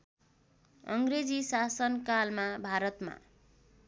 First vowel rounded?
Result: no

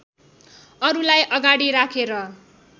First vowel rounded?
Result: no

